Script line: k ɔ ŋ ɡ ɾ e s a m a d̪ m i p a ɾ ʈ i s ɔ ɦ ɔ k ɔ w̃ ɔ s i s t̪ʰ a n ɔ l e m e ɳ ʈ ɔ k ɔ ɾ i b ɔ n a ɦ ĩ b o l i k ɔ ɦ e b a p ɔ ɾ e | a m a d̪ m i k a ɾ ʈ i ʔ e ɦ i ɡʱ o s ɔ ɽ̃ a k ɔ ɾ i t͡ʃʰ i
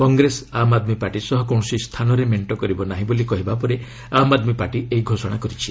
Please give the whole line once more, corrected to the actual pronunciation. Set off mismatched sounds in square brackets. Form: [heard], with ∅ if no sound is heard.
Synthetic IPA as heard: k ɔ ŋ ɡ ɾ e s a m a d̪ m i p a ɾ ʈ i s ɔ ɦ ɔ k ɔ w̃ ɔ s i s t̪ʰ a n ɔ [ɾ] e m e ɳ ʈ ɔ k ɔ ɾ i b ɔ n a ɦ ĩ b o l i k ɔ ɦ [i] b a p ɔ ɾ e | a m a d̪ m i [p] a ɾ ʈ i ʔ e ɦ i ɡʱ o s ɔ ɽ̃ a k ɔ ɾ i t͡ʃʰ i